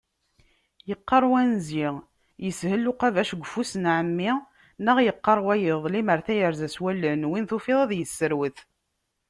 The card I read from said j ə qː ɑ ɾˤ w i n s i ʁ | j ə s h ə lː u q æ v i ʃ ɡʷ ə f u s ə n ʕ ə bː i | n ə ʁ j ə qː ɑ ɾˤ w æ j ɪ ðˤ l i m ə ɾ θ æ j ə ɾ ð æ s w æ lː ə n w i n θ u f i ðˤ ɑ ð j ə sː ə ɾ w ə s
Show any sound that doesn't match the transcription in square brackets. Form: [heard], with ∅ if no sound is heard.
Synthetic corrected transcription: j ə qː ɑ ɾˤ w [æ] n [z] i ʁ | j ə s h ə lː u q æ v [æ] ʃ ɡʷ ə f u s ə n ʕ ə [mː] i | n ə ʁ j ə qː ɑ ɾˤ w æ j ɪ ðˤ l i m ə ɾ θ æ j ə ɾ [z] æ s w æ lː ə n w i n θ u f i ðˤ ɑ ð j ə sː ə ɾ w ə [θ]